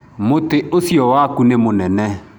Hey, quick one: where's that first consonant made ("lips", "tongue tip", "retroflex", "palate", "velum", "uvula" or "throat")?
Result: lips